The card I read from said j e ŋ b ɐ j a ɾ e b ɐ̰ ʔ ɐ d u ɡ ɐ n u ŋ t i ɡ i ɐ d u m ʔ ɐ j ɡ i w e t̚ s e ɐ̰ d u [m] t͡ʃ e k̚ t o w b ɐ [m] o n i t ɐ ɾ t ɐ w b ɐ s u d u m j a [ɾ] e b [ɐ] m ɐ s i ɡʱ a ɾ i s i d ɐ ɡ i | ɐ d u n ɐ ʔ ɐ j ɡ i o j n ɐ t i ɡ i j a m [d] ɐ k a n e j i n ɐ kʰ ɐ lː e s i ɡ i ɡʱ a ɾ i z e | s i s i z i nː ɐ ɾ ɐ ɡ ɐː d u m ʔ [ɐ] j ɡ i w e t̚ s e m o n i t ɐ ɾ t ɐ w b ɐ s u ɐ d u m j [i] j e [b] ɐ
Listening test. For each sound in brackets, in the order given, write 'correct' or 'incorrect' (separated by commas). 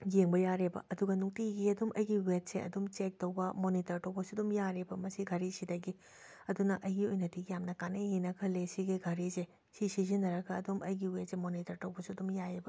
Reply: correct, correct, correct, correct, incorrect, correct, incorrect, correct